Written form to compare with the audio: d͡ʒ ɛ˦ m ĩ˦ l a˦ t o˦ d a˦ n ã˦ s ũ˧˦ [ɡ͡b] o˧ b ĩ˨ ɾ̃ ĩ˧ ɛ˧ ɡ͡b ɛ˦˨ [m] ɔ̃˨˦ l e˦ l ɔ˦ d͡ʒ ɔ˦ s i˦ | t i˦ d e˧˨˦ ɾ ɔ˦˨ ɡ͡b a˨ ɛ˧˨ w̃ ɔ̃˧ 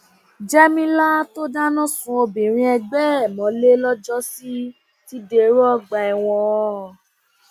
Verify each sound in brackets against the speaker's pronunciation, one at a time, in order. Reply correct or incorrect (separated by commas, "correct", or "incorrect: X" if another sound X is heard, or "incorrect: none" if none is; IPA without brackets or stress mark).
incorrect: none, correct